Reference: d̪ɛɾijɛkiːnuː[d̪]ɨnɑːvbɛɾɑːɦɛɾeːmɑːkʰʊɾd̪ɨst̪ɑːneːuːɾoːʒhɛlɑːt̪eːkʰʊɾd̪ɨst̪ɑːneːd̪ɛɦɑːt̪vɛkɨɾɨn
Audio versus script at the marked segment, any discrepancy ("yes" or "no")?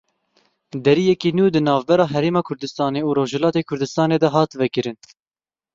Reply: no